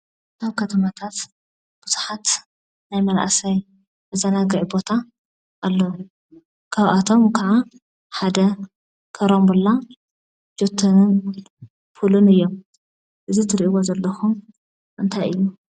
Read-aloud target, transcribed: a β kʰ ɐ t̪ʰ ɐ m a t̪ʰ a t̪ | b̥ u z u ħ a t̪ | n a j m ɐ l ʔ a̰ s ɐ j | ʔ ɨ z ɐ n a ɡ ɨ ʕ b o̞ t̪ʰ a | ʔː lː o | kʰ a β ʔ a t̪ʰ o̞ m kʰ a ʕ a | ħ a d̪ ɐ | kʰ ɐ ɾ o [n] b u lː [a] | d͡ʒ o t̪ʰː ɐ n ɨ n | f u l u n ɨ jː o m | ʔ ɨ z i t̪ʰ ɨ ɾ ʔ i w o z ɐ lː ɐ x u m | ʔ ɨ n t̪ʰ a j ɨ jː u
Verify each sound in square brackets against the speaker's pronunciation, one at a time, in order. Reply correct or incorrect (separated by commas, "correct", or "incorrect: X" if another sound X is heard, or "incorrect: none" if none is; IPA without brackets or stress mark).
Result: incorrect: m, correct